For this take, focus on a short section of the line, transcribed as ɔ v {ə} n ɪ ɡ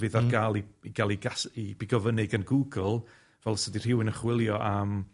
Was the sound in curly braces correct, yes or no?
yes